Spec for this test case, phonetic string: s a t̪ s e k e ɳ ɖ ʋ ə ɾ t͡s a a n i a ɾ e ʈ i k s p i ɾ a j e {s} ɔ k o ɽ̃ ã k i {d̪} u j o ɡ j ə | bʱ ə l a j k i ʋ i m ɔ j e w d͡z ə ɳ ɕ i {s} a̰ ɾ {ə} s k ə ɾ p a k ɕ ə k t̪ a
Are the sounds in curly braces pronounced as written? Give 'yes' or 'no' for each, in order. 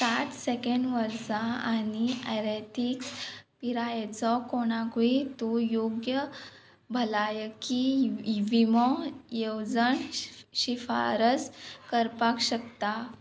no, no, no, yes

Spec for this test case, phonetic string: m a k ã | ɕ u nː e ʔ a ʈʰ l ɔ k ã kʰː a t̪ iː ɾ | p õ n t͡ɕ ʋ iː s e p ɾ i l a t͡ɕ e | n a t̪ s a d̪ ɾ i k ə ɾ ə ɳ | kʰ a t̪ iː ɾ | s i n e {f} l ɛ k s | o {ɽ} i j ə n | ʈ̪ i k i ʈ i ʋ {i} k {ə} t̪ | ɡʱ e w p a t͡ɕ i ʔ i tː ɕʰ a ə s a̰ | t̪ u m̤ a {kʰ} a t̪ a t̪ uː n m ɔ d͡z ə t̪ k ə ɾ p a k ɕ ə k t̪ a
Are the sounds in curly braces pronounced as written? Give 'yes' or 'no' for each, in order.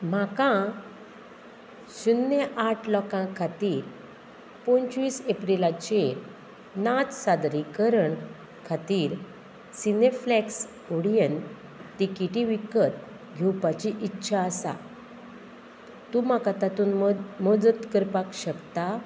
yes, yes, yes, yes, no

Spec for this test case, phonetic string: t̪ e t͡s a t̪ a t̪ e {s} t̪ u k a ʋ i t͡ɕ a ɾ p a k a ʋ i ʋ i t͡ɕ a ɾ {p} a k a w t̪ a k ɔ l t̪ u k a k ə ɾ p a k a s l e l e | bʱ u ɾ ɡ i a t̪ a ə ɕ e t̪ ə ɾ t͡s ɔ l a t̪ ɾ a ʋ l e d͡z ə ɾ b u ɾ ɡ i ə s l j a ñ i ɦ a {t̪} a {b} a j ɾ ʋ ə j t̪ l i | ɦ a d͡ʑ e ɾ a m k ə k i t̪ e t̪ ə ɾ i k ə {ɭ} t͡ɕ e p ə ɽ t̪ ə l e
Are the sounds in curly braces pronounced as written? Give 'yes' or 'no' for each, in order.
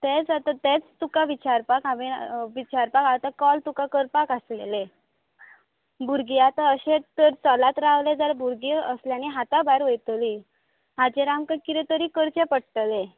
no, yes, yes, yes, no

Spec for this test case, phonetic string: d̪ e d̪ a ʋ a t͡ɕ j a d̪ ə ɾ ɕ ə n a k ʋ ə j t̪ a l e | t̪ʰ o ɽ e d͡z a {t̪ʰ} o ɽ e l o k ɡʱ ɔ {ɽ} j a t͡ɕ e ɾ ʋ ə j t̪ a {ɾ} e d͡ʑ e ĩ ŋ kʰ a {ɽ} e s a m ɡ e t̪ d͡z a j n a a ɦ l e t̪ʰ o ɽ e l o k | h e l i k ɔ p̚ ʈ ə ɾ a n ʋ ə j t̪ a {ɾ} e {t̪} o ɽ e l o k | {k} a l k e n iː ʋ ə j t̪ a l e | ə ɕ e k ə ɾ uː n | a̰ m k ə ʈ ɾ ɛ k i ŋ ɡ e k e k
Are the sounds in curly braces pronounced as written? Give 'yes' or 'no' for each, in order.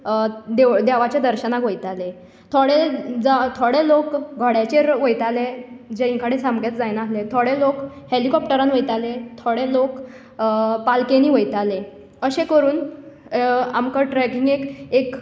yes, yes, no, yes, no, no, no

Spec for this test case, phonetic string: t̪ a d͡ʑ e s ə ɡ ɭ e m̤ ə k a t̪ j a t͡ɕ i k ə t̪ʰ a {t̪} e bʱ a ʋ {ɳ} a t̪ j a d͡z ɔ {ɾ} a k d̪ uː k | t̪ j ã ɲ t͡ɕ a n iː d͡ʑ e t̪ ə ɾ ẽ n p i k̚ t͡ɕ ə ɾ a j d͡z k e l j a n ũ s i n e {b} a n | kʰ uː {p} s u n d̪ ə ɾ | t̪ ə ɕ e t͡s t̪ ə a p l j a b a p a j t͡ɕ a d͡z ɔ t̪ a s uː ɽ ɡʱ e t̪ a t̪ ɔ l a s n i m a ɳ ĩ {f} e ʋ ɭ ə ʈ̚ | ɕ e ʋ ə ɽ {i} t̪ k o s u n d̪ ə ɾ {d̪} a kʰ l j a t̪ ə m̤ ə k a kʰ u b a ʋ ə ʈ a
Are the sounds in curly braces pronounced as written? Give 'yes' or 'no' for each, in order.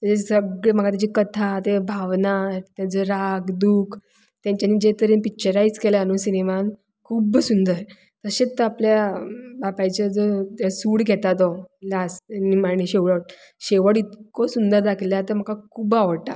yes, no, yes, no, no, no, yes, yes

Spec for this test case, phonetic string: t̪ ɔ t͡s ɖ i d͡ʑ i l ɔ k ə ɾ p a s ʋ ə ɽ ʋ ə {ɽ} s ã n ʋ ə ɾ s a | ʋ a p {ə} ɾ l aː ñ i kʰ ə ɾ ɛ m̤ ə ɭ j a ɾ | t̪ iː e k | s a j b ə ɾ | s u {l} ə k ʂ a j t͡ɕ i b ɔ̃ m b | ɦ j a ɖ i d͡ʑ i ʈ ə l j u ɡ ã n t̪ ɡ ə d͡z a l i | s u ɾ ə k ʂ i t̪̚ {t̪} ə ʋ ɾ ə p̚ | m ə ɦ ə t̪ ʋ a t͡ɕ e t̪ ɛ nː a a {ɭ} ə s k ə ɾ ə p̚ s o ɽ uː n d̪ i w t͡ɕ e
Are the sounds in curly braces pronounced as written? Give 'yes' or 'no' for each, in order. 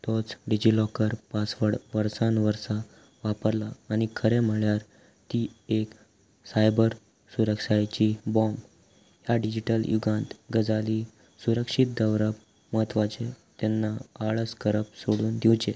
no, yes, no, no, yes

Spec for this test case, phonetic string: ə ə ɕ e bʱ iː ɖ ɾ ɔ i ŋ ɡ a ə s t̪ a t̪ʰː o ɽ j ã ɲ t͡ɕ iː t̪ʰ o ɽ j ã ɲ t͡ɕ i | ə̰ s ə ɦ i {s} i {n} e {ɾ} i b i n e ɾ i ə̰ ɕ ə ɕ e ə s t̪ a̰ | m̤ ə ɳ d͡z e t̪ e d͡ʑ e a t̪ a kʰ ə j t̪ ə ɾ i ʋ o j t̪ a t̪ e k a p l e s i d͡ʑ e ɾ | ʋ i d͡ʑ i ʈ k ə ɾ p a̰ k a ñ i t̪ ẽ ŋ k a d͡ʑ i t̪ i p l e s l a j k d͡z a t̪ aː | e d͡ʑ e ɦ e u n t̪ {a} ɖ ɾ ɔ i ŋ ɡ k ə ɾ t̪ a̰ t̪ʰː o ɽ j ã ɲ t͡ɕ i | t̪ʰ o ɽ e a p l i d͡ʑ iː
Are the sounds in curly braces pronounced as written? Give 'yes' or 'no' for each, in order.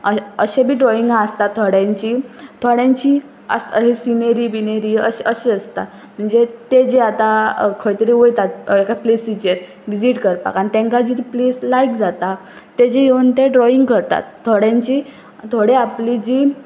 yes, yes, yes, no

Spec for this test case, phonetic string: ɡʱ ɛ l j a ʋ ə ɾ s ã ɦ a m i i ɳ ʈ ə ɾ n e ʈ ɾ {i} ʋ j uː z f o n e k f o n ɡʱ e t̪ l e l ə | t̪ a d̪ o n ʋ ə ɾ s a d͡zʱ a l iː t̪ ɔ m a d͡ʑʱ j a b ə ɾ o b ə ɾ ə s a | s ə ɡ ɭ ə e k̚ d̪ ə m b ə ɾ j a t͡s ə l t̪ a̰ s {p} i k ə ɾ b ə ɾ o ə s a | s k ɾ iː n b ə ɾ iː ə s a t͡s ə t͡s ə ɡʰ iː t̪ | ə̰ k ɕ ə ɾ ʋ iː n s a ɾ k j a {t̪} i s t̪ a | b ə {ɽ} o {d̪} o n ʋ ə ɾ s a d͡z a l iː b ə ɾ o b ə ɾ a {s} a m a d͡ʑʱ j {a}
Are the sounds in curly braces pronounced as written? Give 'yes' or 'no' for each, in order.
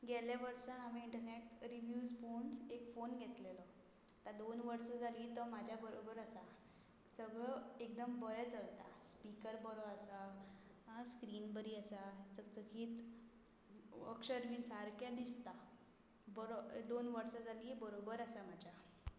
yes, yes, no, no, yes, yes, yes

